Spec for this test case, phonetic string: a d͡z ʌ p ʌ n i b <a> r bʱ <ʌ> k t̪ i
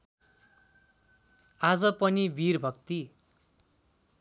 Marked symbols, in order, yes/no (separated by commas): no, yes